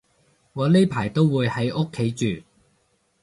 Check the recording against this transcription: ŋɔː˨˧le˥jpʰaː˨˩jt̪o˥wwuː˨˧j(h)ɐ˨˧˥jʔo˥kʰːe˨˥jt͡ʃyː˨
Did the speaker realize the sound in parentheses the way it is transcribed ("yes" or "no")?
yes